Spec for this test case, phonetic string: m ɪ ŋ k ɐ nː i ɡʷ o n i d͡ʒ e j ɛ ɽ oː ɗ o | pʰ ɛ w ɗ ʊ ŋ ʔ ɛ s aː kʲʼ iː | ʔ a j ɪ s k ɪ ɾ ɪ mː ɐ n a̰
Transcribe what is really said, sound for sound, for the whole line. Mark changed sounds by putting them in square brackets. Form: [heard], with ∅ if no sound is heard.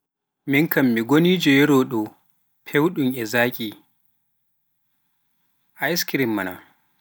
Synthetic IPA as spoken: m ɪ ŋ k ɐ [mː] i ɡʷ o n i d͡ʒ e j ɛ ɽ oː ɗ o | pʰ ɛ w ɗ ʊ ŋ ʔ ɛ [z] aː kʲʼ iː | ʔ a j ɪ s k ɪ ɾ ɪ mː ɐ n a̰

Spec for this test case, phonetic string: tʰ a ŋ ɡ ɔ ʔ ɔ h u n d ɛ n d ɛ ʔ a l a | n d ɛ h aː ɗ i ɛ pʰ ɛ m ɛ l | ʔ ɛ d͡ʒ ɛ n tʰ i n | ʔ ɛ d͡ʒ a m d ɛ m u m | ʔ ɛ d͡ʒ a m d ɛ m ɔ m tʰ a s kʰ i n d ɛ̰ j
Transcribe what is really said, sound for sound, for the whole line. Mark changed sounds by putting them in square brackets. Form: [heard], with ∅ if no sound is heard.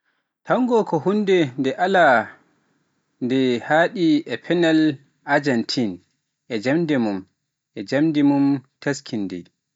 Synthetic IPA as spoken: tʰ a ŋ ɡ ɔ [k] ɔ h u n d ɛ n d ɛ ʔ a l a | n d ɛ h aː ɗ i ɛ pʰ ɛ [n] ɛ l | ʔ [a] d͡ʒ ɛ n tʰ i n | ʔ ɛ d͡ʒ a m d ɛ m u m | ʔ ɛ d͡ʒ a m d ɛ m [u] m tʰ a s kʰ i n d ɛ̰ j

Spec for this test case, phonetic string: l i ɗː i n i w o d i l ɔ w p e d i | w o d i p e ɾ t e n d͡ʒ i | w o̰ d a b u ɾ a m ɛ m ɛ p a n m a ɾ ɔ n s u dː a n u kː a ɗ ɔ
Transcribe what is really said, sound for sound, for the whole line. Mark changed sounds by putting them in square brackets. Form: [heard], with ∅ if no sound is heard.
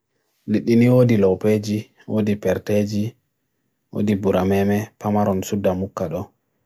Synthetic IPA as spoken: l i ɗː i n i w o d i l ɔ w p e [d͡ʒ] i | w o d i p [ɛ] ɾ t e [∅] d͡ʒ i | w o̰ d [i] b u ɾ a m ɛ m ɛ p a [∅] m a ɾ ɔ n s u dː a [m] u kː a ɗ ɔ

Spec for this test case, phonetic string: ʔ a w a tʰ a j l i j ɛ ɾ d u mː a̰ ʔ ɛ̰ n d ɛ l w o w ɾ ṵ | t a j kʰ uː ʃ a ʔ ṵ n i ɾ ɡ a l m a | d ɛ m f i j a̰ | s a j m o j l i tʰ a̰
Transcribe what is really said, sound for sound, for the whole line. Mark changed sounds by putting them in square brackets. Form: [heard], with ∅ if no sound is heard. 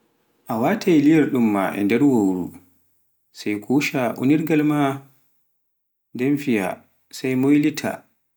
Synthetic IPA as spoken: ʔ a w a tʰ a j l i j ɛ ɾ [ɗ] u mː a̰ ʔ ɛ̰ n d ɛ [ɾ] w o w ɾ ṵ | [s] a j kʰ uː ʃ a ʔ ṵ n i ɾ ɡ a l m a | d ɛ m f i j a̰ | s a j m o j l i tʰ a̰

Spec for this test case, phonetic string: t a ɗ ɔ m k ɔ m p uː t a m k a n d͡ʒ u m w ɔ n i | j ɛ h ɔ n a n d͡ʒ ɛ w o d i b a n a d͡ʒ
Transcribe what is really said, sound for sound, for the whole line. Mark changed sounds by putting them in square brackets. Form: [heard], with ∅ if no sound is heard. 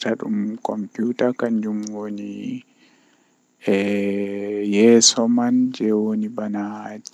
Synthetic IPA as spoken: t a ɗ [u] m k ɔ m p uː t a [∅] k a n d͡ʒ u m w [o] n i | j ɛ [s] ɔ [m] a n d͡ʒ ɛ w o [n] i b a n a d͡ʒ

